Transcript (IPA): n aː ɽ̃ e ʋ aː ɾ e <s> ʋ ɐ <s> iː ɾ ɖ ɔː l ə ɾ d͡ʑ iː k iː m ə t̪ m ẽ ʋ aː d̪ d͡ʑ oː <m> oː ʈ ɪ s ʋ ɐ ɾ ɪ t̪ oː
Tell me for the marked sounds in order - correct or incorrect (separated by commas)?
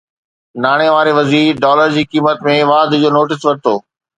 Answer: incorrect, incorrect, incorrect